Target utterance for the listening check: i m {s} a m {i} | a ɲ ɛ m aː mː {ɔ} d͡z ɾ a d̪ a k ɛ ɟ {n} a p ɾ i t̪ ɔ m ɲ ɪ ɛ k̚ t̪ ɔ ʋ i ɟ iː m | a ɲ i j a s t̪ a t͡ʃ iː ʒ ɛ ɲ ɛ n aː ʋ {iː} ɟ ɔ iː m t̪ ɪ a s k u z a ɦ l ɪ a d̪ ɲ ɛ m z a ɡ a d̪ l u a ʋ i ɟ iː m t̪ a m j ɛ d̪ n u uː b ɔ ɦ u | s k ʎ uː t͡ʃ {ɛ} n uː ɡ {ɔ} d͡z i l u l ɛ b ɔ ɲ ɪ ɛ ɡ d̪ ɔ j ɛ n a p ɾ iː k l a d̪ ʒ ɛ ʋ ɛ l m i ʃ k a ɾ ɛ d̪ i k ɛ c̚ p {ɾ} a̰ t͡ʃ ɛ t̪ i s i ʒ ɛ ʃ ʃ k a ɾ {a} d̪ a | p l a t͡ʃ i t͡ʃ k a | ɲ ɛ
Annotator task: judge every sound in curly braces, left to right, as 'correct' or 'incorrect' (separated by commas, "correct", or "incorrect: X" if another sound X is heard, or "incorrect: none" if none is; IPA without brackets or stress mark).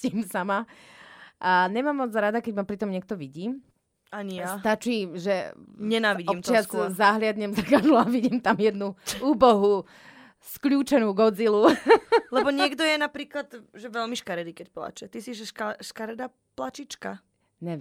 correct, incorrect: a, correct, incorrect: m, incorrect: i, correct, correct, incorrect: l, incorrect: ɛ